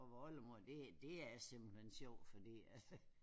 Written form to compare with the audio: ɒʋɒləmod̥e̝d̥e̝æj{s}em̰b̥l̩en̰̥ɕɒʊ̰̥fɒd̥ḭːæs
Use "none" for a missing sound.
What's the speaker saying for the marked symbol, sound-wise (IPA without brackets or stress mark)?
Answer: s